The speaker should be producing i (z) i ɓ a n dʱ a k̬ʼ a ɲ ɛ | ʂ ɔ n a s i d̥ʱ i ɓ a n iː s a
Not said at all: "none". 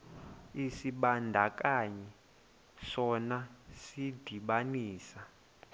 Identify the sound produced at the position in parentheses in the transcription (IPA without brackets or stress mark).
s